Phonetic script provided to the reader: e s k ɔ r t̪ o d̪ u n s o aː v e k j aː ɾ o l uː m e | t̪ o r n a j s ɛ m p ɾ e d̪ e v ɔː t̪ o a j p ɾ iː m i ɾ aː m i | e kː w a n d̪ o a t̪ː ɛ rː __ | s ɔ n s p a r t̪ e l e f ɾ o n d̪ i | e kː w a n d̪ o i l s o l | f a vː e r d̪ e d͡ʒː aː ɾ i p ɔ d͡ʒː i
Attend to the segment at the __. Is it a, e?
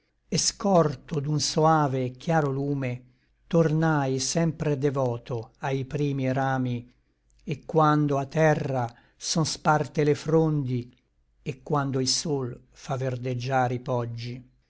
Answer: a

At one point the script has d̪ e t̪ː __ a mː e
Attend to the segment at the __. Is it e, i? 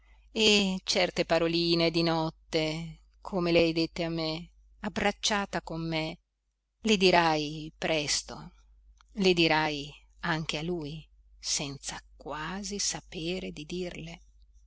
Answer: e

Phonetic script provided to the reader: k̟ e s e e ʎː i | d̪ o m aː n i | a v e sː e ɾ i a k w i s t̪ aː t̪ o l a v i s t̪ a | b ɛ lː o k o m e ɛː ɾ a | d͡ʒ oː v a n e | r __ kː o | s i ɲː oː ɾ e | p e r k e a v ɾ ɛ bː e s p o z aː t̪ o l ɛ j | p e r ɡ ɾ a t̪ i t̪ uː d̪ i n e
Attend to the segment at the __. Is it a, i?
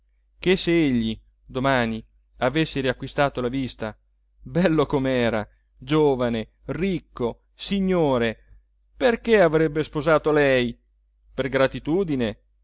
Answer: i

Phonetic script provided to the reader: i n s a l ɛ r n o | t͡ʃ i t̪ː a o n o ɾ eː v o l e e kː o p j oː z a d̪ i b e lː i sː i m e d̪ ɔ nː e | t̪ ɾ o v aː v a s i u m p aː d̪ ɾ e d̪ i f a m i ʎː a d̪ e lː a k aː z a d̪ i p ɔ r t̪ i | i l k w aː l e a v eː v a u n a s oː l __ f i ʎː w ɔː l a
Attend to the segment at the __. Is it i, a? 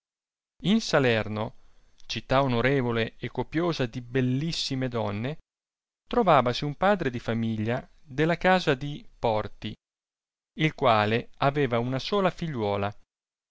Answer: a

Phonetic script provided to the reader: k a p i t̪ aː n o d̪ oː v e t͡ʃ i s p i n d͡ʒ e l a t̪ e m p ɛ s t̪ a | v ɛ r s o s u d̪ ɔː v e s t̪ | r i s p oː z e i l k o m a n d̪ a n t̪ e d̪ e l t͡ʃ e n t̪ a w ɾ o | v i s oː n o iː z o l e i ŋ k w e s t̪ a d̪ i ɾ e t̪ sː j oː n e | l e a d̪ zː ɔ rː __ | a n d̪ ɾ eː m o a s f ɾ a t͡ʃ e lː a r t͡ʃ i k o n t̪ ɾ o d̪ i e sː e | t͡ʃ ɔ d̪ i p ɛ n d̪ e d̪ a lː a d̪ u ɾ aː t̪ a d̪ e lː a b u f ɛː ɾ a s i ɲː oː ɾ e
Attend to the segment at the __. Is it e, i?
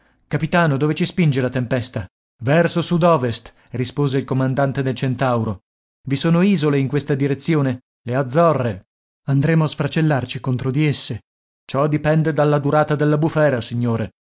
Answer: e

